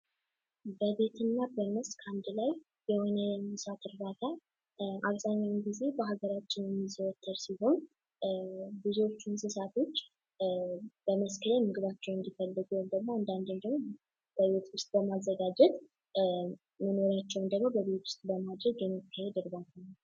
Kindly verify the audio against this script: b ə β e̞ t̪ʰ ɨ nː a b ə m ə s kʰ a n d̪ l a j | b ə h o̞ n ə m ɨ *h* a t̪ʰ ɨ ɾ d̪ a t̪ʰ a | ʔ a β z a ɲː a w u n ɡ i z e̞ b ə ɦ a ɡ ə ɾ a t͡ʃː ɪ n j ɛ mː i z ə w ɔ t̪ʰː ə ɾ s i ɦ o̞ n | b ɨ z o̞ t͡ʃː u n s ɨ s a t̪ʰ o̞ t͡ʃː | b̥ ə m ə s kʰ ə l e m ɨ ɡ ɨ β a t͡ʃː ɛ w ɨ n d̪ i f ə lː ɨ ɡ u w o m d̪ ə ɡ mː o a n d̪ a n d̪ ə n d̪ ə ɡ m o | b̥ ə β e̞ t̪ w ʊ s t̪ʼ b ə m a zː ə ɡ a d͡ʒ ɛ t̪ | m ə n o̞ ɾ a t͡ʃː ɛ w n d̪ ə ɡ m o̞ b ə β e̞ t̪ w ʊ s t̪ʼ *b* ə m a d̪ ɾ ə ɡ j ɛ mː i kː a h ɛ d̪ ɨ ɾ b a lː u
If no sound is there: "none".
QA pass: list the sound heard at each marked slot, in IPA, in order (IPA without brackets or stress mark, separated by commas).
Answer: s, b